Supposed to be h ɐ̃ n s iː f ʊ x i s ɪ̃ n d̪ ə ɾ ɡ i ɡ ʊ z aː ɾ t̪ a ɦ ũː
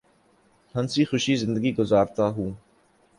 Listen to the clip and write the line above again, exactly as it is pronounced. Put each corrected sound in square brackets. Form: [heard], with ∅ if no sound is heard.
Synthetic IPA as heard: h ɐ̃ n s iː [x] ʊ [ʃ] i [z] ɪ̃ n d̪ ə [∅] ɡ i ɡ ʊ z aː ɾ t̪ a ɦ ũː